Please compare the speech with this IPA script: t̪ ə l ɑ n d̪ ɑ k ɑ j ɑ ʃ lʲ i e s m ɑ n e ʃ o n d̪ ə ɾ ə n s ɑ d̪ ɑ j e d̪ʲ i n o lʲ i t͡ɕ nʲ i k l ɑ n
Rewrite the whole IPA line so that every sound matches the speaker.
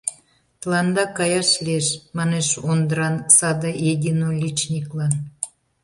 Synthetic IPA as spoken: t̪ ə l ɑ n d̪ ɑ k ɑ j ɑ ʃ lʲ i e ʃ m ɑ n e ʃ o n d̪ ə ɾ ɑ n s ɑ d̪ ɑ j e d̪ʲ i n o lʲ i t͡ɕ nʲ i k l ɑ n